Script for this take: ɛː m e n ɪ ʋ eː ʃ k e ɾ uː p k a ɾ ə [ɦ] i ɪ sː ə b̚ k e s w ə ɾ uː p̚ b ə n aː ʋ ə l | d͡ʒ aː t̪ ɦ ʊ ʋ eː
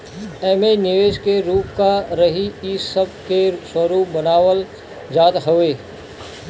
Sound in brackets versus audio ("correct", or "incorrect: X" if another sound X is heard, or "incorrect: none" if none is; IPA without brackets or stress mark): correct